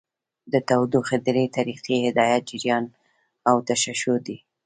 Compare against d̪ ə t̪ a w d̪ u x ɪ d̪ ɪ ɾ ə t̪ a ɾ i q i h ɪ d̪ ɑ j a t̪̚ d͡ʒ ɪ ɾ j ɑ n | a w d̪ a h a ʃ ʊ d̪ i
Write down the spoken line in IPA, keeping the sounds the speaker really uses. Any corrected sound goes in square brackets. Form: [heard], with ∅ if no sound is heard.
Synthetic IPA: d̪ ə t̪ a w d̪ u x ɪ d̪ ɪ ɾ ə t̪ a ɾ i q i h ɪ d̪ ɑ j a t̪̚ d͡ʒ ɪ ɾ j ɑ n | a w [t̪] a [ʃ] a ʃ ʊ d̪ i